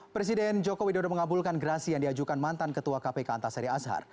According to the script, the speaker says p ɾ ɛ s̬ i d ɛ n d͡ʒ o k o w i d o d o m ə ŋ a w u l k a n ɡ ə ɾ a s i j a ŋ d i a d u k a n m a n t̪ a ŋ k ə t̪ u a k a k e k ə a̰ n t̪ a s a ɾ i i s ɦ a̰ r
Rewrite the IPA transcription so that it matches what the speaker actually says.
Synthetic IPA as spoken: p ɾ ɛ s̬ i d ɛ n d͡ʒ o k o w i d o d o m ə ŋ a b u l k a n ɡ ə ɾ a s i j a ŋ d i a d͡ʒ u k a n m a n t̪ a n k ə t̪ u a k a p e k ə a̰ n t̪ a s a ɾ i a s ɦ a̰ r